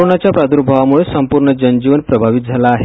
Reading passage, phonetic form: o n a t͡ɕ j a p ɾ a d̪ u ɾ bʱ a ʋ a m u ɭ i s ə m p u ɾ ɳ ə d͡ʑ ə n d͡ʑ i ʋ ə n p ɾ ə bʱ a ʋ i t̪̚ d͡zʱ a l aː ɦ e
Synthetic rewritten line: o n a t͡ɕ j a p ɾ a d̪ u ɾ bʱ a ʋ a m u ɭ e s ə m p u ɾ ɳ ə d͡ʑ ə n d͡ʑ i ʋ ə n p ɾ ə bʱ a ʋ i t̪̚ d͡zʱ a l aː ɦ e

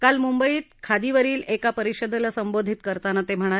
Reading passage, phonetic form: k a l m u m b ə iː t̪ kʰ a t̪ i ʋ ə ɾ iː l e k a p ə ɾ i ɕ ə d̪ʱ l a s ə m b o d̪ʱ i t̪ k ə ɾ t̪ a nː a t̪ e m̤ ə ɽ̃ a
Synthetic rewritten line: k a l m u m b ə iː t̪ kʰ a d̪ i ʋ ə ɾ iː l e k a p ə ɾ i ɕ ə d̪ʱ l a s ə m b o d̪ʱ i t̪ k ə ɾ t̪ a n a t̪ e m̤ ə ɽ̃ a

